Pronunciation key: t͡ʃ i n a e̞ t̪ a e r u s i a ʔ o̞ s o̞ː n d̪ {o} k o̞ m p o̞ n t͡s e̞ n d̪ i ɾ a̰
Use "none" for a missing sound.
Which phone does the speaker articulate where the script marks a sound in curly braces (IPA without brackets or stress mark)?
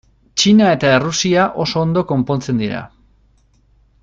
o